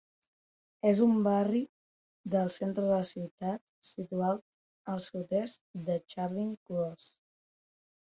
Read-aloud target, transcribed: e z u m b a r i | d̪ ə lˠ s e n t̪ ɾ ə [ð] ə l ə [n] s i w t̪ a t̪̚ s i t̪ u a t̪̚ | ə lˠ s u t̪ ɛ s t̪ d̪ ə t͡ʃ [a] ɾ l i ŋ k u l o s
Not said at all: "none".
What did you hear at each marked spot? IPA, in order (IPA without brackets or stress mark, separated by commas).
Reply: ð, none, a